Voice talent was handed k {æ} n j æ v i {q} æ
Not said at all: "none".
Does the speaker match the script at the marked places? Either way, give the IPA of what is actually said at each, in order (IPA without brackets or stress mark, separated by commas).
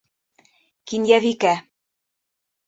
i, k